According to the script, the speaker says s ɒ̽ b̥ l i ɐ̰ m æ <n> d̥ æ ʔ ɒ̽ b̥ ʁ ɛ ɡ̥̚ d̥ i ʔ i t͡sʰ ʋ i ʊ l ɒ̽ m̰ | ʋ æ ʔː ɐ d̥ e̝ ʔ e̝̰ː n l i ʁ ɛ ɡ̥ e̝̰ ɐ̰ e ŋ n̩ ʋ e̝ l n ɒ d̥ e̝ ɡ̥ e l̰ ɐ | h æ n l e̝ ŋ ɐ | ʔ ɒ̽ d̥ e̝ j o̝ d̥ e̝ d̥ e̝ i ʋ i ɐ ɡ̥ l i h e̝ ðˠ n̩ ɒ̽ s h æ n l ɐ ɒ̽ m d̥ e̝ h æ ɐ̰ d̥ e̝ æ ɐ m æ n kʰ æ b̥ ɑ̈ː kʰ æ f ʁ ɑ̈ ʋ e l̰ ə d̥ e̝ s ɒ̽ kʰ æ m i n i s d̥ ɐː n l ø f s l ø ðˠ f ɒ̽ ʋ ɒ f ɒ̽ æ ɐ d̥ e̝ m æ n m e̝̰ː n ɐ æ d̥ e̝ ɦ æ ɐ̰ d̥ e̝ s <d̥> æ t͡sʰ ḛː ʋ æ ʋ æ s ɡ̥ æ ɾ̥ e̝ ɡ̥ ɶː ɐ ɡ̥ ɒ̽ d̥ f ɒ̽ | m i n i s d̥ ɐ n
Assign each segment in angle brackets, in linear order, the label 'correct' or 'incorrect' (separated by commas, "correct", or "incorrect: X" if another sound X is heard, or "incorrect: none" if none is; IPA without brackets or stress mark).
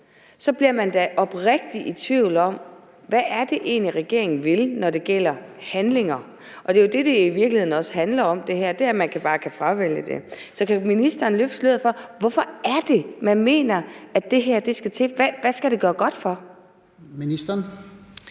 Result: correct, incorrect: ɡ̥